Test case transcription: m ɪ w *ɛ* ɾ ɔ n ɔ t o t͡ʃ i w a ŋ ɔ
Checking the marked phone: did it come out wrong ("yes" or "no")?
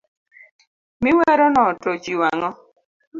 no